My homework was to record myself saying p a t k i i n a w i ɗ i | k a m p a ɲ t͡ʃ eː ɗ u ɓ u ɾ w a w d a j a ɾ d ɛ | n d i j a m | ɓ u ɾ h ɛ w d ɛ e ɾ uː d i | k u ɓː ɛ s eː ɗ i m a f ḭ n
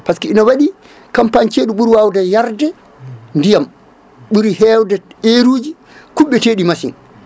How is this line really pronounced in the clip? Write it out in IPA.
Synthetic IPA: p a s k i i n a w a ɗ i | k a m p a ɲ t͡ʃ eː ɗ u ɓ u ɾ w a w d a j a ɾ d ɛ | n d i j a m | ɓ u ɾ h ɛ w d ɛ e ɾ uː d͡ʒ i | k u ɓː ɛ t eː ɗ i m a s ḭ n